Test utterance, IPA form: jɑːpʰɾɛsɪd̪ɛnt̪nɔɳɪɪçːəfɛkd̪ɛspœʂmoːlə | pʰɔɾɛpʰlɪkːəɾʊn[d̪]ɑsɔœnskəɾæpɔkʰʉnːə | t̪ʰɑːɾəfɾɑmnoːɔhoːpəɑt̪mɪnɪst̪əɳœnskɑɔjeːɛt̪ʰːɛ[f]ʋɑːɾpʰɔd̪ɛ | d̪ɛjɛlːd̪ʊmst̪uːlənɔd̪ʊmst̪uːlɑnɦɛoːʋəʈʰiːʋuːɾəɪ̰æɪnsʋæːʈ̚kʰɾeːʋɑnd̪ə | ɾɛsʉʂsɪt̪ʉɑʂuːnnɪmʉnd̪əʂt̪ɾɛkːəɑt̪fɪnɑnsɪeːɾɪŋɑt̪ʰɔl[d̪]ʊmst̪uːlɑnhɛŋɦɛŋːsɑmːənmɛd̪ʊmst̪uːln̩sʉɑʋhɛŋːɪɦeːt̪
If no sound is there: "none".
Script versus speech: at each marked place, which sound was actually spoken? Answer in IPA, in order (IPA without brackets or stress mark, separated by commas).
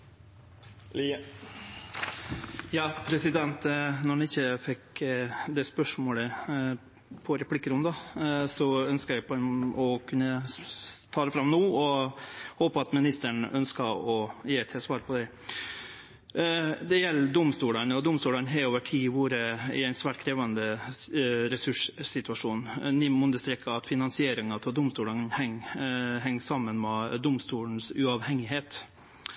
d̪, s, d̪